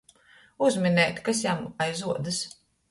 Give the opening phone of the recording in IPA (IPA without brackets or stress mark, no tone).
u